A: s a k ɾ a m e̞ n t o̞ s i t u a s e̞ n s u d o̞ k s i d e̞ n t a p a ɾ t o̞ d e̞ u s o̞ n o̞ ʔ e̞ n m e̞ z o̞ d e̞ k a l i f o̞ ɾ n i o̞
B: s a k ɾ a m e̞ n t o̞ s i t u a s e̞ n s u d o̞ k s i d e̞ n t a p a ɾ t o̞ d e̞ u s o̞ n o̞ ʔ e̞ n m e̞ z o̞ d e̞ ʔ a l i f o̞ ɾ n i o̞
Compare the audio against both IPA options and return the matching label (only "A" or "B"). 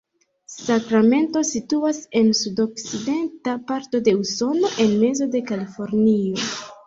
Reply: A